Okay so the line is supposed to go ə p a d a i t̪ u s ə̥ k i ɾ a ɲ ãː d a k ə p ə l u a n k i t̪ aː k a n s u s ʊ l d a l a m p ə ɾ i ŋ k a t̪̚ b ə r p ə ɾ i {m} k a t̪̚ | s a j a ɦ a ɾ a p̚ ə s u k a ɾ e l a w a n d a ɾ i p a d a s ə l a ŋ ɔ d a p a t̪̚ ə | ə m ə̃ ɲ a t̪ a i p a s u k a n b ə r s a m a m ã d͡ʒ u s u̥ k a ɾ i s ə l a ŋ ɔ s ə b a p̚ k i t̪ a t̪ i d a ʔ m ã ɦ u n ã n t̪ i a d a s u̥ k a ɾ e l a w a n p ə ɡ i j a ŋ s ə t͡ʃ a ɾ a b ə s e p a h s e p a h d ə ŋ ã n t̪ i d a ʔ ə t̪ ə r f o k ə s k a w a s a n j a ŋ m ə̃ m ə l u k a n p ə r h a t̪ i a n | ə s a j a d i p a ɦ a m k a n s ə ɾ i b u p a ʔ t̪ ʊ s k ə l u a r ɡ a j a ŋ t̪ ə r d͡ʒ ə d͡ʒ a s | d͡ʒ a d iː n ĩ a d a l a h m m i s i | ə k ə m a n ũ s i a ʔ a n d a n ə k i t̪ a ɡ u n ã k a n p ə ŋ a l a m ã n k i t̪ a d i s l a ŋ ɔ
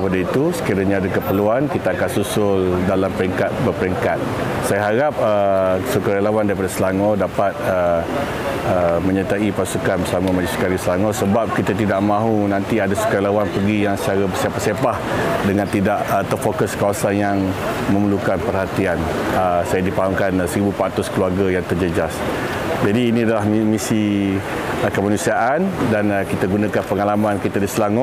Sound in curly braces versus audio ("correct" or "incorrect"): incorrect